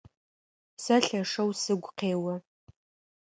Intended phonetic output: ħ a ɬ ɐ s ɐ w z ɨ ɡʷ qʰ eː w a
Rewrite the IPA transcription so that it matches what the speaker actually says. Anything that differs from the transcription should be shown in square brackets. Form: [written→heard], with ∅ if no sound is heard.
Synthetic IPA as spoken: [ħ→s] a ɬ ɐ [s→ʂ] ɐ w [z→s] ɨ ɡʷ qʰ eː w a